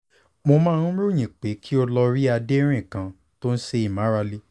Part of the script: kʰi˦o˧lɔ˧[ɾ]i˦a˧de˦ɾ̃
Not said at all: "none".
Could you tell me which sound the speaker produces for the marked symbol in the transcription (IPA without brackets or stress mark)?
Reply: ɾ